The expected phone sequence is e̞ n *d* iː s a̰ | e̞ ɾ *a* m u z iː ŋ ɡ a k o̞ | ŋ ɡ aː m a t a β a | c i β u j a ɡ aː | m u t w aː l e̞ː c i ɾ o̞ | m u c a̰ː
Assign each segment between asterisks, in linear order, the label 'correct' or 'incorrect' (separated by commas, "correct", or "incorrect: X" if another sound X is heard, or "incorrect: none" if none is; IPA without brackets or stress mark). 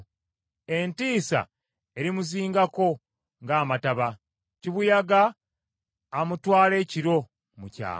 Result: incorrect: t, incorrect: i